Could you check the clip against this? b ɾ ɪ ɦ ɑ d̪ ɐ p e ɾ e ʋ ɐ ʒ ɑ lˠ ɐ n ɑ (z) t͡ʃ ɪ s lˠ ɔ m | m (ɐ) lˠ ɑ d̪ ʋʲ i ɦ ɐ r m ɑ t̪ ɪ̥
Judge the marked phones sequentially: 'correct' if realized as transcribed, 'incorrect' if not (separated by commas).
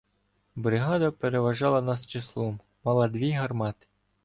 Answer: incorrect, incorrect